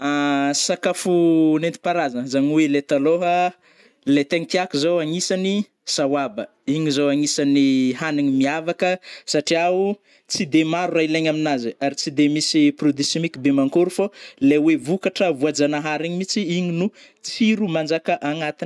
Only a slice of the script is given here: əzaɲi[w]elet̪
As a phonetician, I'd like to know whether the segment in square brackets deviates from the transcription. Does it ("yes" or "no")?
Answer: no